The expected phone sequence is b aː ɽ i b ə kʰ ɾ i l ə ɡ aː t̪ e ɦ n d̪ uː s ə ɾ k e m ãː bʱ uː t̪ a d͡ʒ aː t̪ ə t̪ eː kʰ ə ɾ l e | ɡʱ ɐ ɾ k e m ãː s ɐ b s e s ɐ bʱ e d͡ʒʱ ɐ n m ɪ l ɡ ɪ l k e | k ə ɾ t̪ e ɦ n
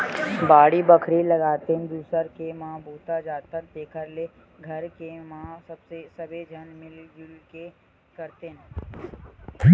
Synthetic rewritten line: b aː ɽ i b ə kʰ ɾ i l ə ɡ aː t̪ e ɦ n d̪ uː s ə ɾ k e m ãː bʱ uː t̪ a d͡ʒ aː t̪ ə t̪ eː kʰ ə ɾ l e | ɡʱ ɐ ɾ k e m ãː s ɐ b s e s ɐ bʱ e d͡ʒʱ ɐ n m ɪ l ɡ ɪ l k e | k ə ɾ t̪ e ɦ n

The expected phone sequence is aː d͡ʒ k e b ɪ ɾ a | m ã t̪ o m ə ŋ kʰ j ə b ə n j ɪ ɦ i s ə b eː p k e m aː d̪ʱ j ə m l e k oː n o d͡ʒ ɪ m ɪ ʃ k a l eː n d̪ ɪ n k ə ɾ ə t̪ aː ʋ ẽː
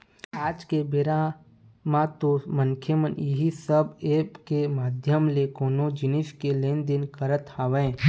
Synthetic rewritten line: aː d͡ʒ k e b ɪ ɾ a | m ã t̪ o m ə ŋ kʰ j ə m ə n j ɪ ɦ i s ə b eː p k e m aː d̪ʱ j ə m l e k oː n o d͡ʒ ɪ n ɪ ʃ k e l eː n d̪ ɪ n k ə ɾ ə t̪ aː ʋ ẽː

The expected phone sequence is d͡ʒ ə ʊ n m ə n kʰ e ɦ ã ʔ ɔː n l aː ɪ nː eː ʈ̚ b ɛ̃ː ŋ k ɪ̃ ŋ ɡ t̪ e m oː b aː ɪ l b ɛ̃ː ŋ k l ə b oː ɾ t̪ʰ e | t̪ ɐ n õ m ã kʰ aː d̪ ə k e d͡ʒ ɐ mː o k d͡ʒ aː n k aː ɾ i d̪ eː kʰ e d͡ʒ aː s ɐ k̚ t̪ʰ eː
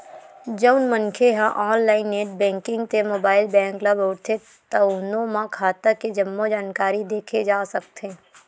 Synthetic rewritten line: d͡ʒ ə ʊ n m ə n kʰ e ɦ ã ʔ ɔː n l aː ɪ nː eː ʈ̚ b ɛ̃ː ŋ k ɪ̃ ŋ ɡ t̪ e m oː b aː ɪ l b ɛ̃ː ŋ k l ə b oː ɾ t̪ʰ e | t̪ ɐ n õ m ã kʰ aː t̪ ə k e d͡ʒ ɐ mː o d͡ʒ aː n k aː ɾ i d̪ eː kʰ e d͡ʒ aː s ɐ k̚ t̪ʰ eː

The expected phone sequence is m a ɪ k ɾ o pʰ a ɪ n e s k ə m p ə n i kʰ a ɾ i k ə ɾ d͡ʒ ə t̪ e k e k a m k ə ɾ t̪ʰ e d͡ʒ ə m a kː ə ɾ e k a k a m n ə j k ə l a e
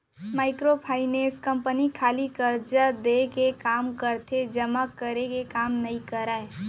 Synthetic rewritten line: m a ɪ k ɾ o pʰ a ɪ n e s k ə m p ə n i kʰ a l i k ə ɾ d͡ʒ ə d̪ e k e k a m k ə ɾ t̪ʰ e d͡ʒ ə m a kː ə ɾ e k e k a m n ə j k ə ɾ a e

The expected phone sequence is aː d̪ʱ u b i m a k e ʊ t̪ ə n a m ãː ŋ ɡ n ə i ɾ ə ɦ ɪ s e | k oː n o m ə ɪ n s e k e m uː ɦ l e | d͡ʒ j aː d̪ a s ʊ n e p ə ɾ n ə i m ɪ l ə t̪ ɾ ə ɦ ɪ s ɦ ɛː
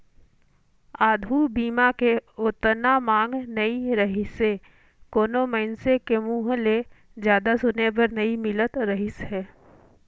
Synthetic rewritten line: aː d̪ʱ u b iː m a k e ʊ t̪ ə n a m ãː ŋ ɡ n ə i ɾ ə ɦ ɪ s e | k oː n o m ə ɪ n s e k e m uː ɦ l e | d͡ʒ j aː d̪ a s ʊ n e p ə ɾ n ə i m ɪ l ə t̪ ɾ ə ɦ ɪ s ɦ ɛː

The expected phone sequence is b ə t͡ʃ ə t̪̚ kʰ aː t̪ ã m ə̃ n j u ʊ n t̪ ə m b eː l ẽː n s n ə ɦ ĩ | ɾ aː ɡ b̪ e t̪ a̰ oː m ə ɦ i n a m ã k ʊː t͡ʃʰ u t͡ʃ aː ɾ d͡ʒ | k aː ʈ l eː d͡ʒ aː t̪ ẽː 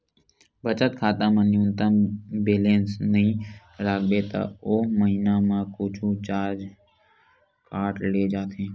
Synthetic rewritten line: b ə t͡ʃ ə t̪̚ kʰ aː t̪ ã m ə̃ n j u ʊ n t̪ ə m b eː l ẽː n s n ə ɦ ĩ | ɾ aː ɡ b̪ e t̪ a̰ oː m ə ɦ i n a m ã k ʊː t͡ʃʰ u t͡ʃ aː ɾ d͡ʒ | k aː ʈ l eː d͡ʒ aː t̪ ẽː

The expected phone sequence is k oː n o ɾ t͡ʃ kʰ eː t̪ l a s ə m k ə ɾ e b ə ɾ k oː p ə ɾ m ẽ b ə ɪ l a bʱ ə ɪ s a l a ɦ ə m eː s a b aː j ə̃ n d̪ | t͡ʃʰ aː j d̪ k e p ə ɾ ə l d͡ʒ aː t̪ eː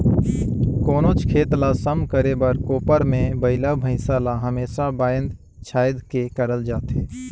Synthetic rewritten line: k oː n o t͡ʃ kʰ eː t̪ l a s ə m k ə ɾ e b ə ɾ k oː p ə ɾ m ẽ b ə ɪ l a bʱ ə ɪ s a l a ɦ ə m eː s a b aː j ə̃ n d̪ | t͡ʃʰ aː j d̪ k e k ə ɾ ə l d͡ʒ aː t̪ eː

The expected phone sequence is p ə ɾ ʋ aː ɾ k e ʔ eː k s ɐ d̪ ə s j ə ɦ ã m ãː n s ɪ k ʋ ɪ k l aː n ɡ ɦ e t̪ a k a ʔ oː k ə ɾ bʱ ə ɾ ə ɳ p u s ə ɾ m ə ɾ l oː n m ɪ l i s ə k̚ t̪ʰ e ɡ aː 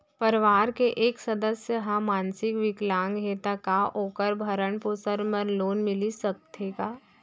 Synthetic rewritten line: p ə ɾ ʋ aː ɾ k e ʔ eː k s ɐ d̪ ə s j ə ɦ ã m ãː n s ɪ k ʋ ɪ k l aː ŋ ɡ ɦ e t̪ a k a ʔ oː k ə ɾ bʱ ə ɾ ə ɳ p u s ə ɾ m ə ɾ l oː n m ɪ l i s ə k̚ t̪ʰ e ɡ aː

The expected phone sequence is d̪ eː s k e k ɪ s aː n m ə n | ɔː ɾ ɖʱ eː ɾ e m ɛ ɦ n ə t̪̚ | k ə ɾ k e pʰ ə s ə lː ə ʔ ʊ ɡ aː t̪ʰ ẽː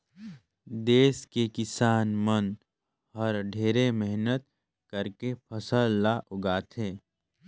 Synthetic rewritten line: d̪ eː s k e k ɪ s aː n m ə n | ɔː ɾ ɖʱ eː ɾ e m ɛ ɦ n ə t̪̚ | k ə ɾ k e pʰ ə s ə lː a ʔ ʊ ɡ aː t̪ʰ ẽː

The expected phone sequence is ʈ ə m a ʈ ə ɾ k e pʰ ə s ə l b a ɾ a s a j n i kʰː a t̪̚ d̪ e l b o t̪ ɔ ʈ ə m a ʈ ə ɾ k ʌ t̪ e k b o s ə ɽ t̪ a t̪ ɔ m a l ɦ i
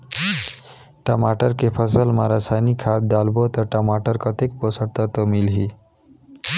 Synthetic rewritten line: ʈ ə m a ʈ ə ɾ k e pʰ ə s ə l m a ɾ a s a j n i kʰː a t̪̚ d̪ a l b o t̪ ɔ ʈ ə m a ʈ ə ɾ k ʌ t̪ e k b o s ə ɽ t̪ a t̪ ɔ m i l ɦ i

